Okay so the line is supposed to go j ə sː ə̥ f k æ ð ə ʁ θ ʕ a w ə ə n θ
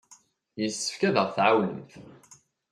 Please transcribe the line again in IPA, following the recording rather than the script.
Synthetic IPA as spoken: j ə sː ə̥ f k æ ð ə ʁ θ ʕ a w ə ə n θ